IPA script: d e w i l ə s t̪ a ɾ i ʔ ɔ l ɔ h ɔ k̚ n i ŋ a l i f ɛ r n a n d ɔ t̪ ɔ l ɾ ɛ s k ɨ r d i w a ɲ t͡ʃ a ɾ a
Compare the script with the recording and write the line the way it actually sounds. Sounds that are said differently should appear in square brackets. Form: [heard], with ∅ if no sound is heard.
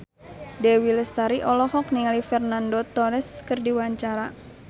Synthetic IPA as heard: d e w i l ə s t̪ a ɾ i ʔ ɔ l ɔ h ɔ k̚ n i ŋ a l i f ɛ r n a n d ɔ t̪ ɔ [∅] ɾ ɛ s k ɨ r d i w a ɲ t͡ʃ a ɾ a